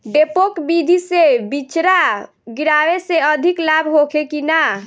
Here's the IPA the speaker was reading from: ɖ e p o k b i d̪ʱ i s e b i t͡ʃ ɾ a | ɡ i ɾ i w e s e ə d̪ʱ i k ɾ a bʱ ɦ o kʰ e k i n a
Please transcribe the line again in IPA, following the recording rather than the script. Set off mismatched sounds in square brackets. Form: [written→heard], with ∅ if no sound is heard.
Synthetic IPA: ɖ e p o k b i d̪ʱ i s e b i t͡ʃ ɾ a | ɡ i ɾ [i→a] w e s e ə d̪ʱ i k [ɾ→l] a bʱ ɦ o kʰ e k i n a